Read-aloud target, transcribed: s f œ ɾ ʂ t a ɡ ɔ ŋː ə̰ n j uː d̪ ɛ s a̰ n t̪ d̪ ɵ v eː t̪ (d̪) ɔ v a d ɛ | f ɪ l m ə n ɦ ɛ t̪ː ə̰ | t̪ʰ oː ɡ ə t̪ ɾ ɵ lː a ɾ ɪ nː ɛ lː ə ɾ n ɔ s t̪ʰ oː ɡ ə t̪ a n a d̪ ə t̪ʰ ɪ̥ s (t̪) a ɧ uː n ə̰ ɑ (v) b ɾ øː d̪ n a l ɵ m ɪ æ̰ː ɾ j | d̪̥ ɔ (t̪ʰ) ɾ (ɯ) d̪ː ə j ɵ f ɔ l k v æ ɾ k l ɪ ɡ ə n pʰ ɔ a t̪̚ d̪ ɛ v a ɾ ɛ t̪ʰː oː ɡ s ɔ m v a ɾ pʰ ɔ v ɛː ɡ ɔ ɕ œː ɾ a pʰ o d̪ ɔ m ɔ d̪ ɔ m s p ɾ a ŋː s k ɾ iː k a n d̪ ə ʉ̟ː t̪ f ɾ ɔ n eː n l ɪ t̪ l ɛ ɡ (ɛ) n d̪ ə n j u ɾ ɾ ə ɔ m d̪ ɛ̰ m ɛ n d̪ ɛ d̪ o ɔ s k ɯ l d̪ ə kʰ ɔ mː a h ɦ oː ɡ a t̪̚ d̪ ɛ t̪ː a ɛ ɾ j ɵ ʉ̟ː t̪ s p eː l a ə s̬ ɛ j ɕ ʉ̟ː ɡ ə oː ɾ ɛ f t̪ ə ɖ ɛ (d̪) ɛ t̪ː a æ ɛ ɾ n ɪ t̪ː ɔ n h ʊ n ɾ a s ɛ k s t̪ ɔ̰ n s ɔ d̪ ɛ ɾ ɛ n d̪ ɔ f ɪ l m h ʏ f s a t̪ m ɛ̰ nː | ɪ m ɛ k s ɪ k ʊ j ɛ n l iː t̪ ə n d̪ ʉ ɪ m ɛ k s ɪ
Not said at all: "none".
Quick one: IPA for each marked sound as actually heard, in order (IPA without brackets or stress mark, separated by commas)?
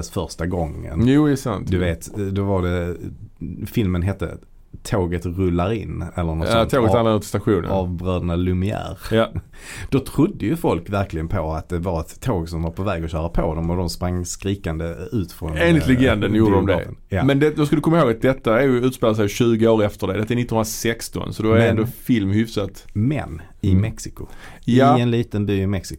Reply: d̪, t̪, v, t̪ʰ, ʊ, ɛ, d̪